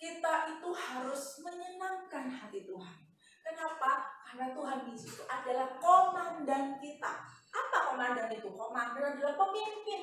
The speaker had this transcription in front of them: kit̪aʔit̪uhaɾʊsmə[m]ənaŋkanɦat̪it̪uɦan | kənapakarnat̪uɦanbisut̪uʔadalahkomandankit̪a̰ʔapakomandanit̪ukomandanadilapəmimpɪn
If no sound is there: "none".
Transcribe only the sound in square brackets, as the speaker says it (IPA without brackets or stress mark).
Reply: ɲ